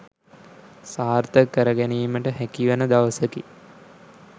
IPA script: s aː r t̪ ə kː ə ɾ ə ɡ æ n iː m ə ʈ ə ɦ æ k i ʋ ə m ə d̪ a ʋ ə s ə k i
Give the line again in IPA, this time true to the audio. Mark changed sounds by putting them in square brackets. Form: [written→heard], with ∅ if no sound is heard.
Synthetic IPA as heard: s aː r t̪ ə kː ə ɾ ə ɡ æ n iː m ə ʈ ə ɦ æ k i ʋ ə [m→n] ə d̪ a ʋ ə s ə k i